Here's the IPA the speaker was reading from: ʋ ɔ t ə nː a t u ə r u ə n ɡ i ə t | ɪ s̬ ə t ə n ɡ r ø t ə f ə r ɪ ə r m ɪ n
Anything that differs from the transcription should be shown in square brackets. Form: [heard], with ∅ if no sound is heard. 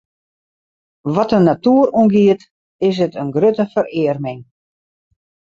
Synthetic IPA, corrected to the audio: ʋ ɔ t ə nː a t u ə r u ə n ɡ i ə t | ɪ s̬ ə t ə n ɡ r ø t ə f ə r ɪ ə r m ɪ [ŋ]